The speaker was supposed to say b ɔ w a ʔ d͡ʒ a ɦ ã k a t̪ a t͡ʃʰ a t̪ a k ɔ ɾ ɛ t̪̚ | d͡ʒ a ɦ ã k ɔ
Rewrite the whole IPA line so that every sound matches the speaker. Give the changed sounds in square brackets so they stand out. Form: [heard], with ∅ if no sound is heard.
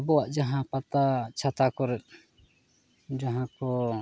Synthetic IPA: b ɔ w a ʔ d͡ʒ a ɦ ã [p] a t̪ a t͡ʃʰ a t̪ a k ɔ ɾ ɛ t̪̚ | d͡ʒ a ɦ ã k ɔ